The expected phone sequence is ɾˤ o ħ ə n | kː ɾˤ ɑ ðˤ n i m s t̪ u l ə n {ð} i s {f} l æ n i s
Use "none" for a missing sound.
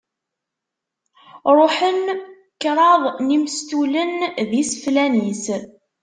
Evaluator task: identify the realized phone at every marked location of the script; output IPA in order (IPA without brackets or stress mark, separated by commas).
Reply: ð, f